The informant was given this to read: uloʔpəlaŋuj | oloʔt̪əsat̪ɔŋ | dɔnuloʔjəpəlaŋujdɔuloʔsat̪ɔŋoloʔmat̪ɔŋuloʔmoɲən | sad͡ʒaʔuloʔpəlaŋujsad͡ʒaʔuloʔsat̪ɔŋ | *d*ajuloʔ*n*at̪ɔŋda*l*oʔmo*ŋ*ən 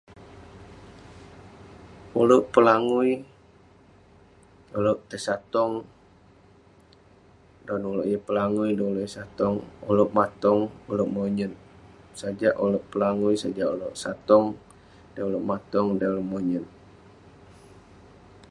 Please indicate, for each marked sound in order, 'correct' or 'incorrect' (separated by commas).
correct, incorrect, correct, incorrect